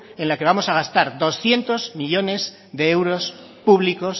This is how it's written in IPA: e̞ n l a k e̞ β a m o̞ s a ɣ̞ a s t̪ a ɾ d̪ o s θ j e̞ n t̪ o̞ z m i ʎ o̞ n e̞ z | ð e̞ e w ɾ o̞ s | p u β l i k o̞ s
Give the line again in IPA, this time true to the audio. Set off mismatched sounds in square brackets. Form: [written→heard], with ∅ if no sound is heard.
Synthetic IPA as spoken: e̞ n l a k e̞ β a m o̞ s a ɣ̞ a s t̪ a ɾ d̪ o s θ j e̞ n t̪ o̞ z m i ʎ o̞ n e̞ z | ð e̞ e w ɾ o̞ s | p u β l i k o̞ s